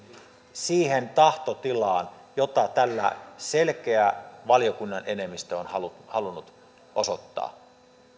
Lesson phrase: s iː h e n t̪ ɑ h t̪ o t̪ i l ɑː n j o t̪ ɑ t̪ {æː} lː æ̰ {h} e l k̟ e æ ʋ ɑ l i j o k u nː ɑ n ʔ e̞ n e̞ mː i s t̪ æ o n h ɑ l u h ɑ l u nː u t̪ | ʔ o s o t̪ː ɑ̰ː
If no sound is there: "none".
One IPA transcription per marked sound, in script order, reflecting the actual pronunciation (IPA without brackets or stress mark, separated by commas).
æ, s